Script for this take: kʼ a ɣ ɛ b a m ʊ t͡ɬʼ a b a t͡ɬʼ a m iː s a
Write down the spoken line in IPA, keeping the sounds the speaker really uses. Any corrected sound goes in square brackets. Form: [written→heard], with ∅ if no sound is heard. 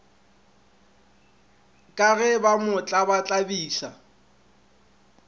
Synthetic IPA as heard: kʼ a ɣ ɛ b a m ʊ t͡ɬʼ a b a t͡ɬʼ a [m→b] iː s a